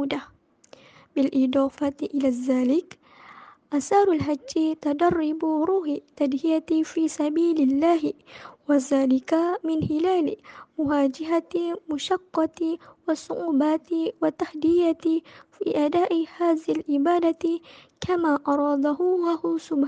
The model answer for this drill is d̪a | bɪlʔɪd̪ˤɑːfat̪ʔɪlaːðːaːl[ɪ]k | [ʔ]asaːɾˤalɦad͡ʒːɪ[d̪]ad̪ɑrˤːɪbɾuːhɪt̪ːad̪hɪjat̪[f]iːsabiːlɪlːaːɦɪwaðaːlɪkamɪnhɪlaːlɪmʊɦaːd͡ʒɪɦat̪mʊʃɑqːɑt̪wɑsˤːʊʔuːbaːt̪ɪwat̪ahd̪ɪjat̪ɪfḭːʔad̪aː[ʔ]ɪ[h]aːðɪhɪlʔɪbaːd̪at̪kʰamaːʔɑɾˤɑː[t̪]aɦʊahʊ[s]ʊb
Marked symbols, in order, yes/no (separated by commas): yes, yes, no, yes, yes, yes, no, yes